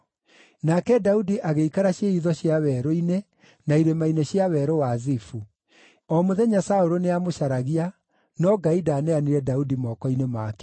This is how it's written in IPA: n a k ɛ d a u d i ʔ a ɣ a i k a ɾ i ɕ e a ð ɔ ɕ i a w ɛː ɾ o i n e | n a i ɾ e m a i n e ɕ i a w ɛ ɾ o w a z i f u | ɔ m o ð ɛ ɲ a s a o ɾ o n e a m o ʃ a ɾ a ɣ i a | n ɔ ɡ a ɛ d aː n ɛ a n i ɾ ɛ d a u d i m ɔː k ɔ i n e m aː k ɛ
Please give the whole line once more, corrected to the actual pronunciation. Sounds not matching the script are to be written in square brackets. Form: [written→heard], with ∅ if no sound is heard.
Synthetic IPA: n a k ɛ d a u d i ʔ a ɣ [a→e] i k a ɾ [i→a] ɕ e [a→i] ð ɔ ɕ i a w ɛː ɾ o i n e | n a i ɾ e m a i n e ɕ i a w ɛ ɾ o w a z i f u | ɔ m o ð ɛ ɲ a s a o ɾ o n e a m o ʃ a ɾ a ɣ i a | n ɔ ɡ a [ɛ→i] d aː n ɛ a n i ɾ ɛ d a u d i m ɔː k ɔ i n e m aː k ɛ

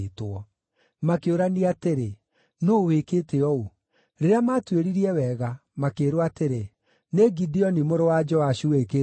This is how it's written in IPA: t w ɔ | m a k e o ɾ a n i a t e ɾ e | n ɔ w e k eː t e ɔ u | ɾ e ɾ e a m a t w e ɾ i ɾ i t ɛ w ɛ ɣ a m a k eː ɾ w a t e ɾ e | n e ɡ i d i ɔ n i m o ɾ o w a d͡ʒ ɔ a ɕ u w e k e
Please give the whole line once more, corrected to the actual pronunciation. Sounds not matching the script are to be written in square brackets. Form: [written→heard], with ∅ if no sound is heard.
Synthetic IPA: t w ɔ | m a k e o ɾ a n i a t e ɾ e | n [ɔ→o] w e k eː t e ɔ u | ɾ e ɾ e a m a t w e ɾ i ɾ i [t→∅] ɛ w ɛ ɣ a m a k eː ɾ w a t e ɾ e | n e ɡ i d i ɔ n i m o ɾ o w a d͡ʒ ɔ a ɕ u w e k e

